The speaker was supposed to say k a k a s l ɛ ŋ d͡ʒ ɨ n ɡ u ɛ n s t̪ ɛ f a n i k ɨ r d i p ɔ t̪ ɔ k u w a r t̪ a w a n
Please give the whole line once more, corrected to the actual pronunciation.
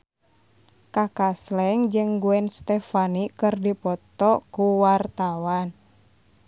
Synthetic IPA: k a k a s l ɛ ŋ d͡ʒ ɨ ŋ ɡ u ɛ n s t̪ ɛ f a n i k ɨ r d i p ɔ t̪ ɔ k u w a r t̪ a w a n

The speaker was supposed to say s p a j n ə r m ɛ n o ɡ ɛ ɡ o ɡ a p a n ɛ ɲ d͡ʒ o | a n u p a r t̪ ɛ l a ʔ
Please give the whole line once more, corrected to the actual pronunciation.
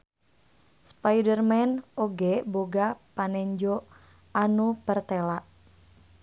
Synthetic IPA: s p a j d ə r m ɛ n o ɡ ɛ b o ɡ a p a n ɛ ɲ d͡ʒ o | a n u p ə r t̪ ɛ l a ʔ

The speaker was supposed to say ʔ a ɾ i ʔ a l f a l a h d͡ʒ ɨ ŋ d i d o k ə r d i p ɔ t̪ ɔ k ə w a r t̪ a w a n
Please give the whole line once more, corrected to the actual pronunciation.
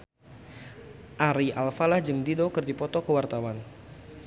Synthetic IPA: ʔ a ɾ i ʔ a l f a l a h d͡ʒ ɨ ŋ d i d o k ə r d i p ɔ t̪ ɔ k ə w a r t̪ a w a n

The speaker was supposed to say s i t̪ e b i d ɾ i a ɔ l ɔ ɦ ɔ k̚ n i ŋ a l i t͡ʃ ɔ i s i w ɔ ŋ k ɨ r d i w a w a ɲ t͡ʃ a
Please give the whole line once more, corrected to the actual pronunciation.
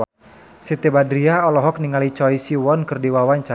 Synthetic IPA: s i t̪ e b a d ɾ i a ɔ l ɔ ɦ ɔ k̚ n i ŋ a l i t͡ʃ ɔ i s i w ɔ n k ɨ r d i w a w a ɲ t͡ʃ a

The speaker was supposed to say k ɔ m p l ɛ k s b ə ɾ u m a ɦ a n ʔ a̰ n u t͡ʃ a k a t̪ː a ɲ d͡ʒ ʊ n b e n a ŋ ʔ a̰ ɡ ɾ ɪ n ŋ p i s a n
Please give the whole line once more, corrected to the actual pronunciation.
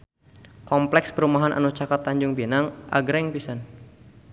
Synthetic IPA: k ɔ m p l ɛ k s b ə ɾ u m a ɦ a n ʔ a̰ n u t͡ʃ a k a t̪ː a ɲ d͡ʒ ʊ ŋ b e n a ŋ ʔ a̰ ɡ ɾ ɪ ŋ p i s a n

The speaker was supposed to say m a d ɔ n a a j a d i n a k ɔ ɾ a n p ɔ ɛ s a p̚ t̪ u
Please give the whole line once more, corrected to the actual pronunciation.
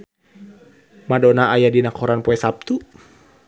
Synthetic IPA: m a d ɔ n a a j a d i n a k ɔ ɾ a n p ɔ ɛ s a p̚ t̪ u

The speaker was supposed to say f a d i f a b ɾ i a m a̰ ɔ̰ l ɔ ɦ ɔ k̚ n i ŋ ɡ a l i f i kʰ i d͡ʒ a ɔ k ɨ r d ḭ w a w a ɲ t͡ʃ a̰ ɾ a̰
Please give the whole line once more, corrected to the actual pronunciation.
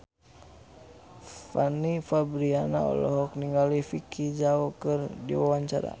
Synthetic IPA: f a n i f a b ɾ i a n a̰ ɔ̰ l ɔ ɦ ɔ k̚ n i ŋ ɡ a l i f i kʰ i d͡ʒ a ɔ k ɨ r d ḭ w a w a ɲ t͡ʃ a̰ ɾ a̰

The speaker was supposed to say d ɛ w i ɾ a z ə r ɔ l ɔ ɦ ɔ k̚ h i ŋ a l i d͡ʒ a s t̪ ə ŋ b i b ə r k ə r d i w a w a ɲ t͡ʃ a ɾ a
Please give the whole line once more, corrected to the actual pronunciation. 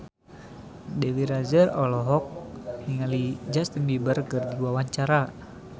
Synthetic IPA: d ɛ w i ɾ a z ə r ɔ l ɔ ɦ ɔ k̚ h i ŋ a l i d͡ʒ a s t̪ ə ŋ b i b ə r k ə r d i w a w a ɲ t͡ʃ a ɾ a

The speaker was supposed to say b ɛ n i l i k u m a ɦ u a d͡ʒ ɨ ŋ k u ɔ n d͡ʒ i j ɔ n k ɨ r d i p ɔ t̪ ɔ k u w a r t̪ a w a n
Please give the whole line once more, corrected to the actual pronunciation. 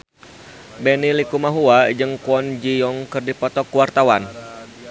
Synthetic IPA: b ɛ n i l i k u m a ɦ u a d͡ʒ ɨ ŋ k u ɔ n d͡ʒ i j ɔ ŋ k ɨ r d i p ɔ t̪ ɔ k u w a r t̪ a w a n

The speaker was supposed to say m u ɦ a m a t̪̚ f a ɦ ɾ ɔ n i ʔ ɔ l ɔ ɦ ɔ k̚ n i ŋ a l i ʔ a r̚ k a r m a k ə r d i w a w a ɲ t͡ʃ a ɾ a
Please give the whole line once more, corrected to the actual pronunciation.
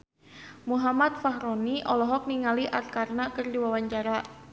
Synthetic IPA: m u ɦ a m a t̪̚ f a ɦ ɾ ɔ n i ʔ ɔ l ɔ ɦ ɔ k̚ n i ŋ a l i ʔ a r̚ k a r n a k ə r d i w a w a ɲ t͡ʃ a ɾ a

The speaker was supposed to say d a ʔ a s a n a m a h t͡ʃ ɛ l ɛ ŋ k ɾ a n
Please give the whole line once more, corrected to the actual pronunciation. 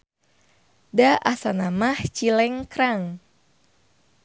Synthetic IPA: d a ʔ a s a n a m a h t͡ʃ i l ɛ ŋ k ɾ a ŋ

